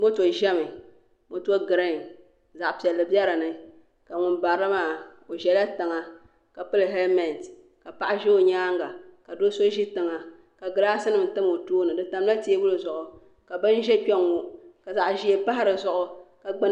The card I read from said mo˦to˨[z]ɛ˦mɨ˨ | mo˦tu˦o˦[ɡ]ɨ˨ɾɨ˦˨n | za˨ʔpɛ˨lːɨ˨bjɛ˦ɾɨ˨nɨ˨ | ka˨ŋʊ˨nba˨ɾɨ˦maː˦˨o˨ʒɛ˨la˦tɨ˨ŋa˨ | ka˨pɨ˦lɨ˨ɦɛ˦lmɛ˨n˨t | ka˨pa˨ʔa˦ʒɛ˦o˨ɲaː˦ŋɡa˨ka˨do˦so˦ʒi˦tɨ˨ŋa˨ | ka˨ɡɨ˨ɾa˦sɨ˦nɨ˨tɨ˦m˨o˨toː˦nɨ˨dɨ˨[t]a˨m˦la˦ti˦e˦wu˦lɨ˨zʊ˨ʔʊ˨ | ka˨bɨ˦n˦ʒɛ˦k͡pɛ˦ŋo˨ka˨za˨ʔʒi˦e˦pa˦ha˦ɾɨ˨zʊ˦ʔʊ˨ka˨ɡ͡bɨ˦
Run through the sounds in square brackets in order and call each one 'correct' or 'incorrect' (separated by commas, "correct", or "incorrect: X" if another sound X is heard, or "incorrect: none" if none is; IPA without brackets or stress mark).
incorrect: ʒ, correct, correct